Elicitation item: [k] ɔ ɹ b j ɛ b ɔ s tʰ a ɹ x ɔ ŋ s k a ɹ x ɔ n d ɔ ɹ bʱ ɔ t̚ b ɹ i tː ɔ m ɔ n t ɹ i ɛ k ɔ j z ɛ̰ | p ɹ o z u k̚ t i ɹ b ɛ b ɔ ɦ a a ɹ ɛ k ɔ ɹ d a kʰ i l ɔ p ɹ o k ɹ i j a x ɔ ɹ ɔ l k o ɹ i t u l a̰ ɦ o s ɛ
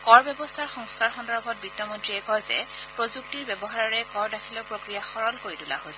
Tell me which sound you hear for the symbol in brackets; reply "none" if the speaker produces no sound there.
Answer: k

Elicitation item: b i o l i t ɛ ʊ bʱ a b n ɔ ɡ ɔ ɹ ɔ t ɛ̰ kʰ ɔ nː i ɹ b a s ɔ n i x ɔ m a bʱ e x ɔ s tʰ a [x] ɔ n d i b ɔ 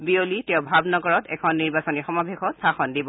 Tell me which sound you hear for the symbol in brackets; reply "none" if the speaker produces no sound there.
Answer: x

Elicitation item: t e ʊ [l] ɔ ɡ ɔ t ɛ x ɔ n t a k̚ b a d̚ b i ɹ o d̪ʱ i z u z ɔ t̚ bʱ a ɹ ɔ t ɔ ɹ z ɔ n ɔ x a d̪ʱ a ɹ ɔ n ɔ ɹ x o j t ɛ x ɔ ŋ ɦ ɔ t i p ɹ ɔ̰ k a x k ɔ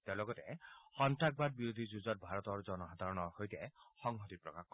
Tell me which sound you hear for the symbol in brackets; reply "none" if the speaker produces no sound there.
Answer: l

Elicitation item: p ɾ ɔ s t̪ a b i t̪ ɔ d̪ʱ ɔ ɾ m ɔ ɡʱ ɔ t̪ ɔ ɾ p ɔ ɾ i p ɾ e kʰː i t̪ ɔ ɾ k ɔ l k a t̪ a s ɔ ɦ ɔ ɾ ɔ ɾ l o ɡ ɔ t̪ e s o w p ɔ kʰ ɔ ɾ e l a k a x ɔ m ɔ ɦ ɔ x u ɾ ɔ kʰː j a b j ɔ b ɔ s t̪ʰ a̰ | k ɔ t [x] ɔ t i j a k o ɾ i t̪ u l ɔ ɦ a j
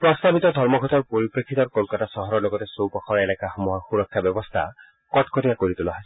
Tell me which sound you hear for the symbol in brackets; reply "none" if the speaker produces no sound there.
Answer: k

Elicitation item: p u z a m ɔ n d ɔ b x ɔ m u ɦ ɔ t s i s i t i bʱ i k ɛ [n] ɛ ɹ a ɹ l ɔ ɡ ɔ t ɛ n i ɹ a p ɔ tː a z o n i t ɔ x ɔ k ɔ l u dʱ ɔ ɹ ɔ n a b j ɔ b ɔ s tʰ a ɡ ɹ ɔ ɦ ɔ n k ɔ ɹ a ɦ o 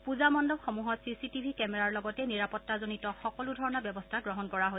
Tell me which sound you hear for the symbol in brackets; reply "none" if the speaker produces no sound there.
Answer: m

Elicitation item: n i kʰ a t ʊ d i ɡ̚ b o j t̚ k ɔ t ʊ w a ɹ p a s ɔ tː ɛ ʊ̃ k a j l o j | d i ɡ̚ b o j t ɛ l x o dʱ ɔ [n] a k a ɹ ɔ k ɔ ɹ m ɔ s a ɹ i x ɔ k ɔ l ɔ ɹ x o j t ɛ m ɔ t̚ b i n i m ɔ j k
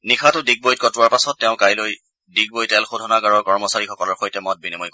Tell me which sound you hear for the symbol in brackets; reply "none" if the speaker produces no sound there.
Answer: n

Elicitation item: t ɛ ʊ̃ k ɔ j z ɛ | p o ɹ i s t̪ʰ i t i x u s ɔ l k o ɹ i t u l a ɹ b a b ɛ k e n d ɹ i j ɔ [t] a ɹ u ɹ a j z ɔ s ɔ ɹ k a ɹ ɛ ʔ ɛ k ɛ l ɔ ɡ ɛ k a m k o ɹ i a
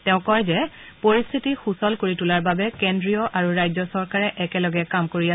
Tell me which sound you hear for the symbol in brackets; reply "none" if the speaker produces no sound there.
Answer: ʔ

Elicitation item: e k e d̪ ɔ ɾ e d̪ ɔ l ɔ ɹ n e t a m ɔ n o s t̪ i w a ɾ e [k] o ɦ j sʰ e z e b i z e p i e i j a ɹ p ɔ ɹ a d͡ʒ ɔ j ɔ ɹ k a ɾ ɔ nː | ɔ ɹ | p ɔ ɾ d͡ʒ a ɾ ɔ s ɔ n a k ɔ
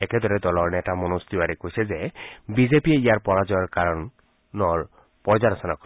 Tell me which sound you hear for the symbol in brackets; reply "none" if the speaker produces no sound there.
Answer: k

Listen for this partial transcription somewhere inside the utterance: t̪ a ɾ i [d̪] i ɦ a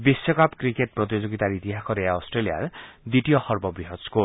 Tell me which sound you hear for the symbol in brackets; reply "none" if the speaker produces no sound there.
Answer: t̪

